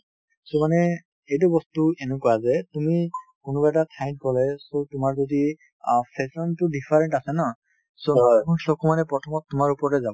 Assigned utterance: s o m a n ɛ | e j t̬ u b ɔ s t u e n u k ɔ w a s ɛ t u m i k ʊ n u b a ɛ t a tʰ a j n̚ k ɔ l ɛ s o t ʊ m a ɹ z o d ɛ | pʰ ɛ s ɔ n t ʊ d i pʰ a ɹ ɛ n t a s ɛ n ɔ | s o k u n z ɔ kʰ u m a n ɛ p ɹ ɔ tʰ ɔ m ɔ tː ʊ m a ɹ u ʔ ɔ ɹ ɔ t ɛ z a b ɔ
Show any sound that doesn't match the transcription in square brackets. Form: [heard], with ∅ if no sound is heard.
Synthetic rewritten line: s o m a n ɛ | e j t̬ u b ɔ s t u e n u k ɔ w a [z] ɛ t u m i k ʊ n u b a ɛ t a tʰ a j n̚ k ɔ l ɛ s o t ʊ m a ɹ z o d [i] | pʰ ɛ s ɔ n t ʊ d i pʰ a ɹ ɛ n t a s ɛ n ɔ | s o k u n [s] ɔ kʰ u m a n ɛ p ɹ ɔ tʰ ɔ m ɔ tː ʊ m a ɹ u [p] ɔ ɹ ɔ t ɛ z a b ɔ